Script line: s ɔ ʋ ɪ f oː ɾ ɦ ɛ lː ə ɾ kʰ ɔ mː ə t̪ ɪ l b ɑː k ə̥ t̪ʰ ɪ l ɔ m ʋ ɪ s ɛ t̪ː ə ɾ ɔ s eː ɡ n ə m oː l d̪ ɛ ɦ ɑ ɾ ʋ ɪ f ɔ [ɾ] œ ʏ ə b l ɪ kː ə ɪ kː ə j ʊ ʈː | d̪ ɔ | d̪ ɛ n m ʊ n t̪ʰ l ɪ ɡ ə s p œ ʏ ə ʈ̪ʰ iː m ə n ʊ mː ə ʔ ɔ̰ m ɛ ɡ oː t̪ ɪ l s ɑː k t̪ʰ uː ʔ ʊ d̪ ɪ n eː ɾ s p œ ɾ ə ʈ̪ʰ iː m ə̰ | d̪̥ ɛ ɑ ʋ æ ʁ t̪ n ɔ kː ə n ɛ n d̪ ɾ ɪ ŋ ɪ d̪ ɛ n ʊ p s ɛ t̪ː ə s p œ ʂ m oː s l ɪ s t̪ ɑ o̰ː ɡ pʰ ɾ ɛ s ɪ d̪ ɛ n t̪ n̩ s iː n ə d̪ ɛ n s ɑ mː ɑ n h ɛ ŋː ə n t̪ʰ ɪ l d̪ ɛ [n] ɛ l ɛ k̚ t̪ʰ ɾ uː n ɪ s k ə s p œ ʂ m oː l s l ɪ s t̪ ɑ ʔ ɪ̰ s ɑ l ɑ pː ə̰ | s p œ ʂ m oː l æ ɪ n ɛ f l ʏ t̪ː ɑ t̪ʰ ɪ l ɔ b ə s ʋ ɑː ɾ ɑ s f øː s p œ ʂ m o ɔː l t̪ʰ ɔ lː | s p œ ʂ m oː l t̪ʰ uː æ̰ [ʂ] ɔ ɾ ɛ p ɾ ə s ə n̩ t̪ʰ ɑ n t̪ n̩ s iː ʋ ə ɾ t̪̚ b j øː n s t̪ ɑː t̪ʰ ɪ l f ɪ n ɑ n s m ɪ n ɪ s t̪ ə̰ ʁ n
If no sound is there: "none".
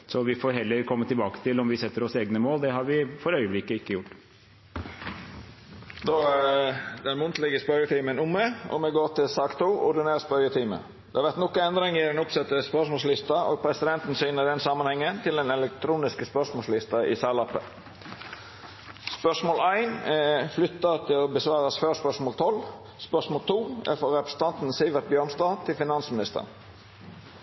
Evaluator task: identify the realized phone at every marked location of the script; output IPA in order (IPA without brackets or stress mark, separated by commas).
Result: ɾ, n, f